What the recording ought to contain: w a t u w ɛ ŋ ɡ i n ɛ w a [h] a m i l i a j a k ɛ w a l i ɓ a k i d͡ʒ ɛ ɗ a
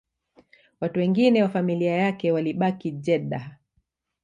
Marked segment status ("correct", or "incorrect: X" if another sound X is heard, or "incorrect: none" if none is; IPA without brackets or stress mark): incorrect: f